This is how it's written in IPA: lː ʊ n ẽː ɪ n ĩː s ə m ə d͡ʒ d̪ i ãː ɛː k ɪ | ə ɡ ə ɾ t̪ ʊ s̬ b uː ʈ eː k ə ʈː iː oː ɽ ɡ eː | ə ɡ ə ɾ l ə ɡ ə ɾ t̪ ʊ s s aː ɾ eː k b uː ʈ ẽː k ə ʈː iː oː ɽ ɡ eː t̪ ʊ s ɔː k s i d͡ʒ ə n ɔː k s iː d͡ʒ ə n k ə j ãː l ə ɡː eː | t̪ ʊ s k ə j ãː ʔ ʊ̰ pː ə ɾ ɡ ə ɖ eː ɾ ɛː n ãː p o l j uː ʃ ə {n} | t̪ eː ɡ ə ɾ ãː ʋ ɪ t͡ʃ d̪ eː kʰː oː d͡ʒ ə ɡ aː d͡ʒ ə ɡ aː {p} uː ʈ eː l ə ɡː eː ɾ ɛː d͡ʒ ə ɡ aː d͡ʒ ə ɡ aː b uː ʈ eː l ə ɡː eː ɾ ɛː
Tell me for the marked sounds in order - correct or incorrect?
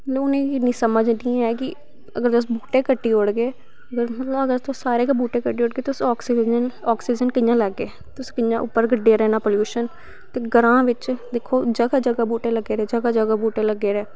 correct, incorrect

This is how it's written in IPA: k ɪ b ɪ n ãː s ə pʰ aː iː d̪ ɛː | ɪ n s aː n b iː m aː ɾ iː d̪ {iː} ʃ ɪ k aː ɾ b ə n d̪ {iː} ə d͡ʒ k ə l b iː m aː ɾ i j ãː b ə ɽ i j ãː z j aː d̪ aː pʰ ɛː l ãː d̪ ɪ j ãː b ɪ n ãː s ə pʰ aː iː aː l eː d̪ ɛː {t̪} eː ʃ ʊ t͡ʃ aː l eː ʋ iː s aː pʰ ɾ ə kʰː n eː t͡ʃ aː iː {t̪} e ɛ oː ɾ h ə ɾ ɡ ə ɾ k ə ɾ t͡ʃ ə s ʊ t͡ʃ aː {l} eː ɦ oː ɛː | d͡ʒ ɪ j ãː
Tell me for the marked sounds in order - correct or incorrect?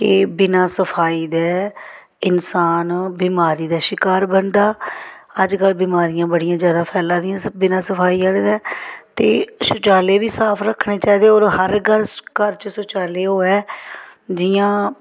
incorrect, incorrect, correct, incorrect, correct

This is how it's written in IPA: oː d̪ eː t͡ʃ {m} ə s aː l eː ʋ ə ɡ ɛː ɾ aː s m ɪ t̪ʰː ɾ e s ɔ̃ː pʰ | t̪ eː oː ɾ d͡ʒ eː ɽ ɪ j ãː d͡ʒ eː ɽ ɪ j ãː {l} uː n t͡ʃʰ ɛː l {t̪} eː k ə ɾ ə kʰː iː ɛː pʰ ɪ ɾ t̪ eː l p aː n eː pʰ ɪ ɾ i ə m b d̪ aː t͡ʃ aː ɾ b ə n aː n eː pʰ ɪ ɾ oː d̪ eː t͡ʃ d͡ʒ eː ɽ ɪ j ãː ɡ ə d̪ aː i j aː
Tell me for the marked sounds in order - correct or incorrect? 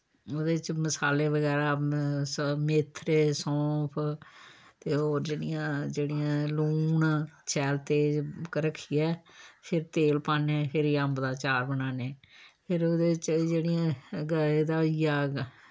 correct, correct, correct

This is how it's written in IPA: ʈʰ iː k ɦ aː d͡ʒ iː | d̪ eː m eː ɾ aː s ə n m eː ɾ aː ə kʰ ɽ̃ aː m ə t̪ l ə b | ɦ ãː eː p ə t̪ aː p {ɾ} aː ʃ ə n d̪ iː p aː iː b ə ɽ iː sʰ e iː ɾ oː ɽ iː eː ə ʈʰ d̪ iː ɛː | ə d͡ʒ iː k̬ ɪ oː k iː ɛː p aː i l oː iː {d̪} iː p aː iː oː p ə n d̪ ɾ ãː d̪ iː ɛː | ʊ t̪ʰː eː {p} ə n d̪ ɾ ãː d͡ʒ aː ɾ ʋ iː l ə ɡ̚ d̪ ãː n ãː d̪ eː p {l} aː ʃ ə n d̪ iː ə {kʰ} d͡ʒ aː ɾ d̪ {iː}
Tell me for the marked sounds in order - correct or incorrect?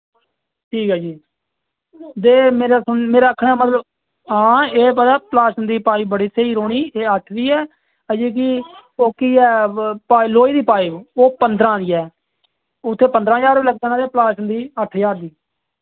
incorrect, correct, correct, correct, incorrect, correct

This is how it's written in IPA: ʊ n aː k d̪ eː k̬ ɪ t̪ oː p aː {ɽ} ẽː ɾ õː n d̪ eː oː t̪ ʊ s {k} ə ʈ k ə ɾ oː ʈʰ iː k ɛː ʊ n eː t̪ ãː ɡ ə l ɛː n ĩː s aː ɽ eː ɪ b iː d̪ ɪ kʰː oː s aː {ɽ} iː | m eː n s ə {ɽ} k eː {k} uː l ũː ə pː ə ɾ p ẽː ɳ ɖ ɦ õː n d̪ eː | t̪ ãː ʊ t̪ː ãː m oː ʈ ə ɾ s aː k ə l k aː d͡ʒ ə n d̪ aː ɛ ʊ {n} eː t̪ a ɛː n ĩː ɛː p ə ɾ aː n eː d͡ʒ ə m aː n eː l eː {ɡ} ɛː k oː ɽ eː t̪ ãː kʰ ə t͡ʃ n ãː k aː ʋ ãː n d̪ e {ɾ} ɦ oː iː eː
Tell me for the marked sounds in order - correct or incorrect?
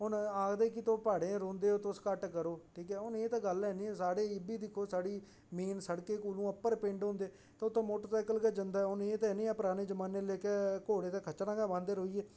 correct, correct, correct, correct, correct, correct, incorrect, correct

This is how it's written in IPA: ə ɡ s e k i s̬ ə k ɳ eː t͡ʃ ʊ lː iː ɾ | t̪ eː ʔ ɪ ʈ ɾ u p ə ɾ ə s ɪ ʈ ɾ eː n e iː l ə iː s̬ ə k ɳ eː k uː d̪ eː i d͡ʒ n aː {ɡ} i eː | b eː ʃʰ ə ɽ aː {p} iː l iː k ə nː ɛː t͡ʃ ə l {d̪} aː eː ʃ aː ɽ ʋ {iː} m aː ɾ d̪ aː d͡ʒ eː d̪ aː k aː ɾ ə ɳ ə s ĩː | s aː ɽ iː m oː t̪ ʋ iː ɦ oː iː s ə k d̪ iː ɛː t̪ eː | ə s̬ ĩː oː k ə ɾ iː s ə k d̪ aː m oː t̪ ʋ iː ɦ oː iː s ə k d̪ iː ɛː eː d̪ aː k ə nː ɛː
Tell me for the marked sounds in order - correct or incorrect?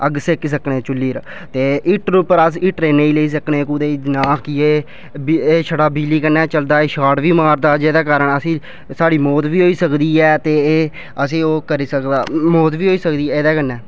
incorrect, incorrect, correct, correct

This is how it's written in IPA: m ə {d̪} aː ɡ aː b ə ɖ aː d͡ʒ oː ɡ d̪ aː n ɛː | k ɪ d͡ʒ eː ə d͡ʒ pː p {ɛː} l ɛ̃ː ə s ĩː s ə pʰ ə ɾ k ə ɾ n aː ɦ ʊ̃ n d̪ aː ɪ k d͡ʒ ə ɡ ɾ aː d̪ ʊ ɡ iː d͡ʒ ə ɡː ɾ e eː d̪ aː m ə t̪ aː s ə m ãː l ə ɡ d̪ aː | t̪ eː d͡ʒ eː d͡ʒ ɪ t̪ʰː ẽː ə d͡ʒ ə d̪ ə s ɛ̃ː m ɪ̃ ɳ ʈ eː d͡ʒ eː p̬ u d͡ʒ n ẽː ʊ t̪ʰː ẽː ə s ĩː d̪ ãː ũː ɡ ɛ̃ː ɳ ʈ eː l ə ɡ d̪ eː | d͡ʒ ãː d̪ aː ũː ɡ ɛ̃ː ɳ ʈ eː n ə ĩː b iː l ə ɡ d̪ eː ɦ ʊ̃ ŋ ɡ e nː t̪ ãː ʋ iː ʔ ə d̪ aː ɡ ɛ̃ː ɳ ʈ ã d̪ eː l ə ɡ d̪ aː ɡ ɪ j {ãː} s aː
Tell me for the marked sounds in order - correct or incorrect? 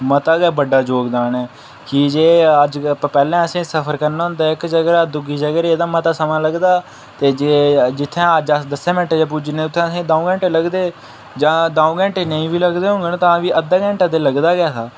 incorrect, correct, incorrect

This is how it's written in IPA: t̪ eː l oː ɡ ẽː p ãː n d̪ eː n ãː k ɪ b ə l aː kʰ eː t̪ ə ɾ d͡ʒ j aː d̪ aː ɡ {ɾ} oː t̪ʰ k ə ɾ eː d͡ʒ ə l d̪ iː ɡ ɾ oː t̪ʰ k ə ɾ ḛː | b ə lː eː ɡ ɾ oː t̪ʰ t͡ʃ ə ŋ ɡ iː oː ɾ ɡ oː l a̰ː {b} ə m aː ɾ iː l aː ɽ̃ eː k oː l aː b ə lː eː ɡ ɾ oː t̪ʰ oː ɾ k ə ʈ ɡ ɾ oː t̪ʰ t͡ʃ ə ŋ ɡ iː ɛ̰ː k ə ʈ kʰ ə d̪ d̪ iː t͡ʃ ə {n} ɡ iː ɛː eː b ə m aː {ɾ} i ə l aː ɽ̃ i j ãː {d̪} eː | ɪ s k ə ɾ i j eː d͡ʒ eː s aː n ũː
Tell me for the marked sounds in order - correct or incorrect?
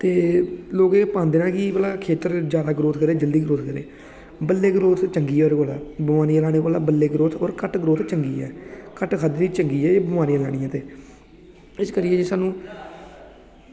correct, correct, incorrect, correct, incorrect

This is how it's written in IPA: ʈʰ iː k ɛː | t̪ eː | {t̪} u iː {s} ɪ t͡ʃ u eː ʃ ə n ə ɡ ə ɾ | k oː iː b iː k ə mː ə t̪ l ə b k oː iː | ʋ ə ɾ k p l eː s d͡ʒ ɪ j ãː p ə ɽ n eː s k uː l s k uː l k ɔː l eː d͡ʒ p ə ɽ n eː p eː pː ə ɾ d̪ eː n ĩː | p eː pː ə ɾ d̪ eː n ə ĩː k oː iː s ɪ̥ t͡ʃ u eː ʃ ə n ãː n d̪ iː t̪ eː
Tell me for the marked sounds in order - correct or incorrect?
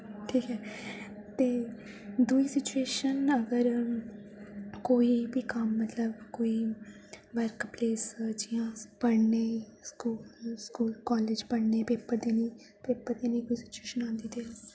incorrect, correct

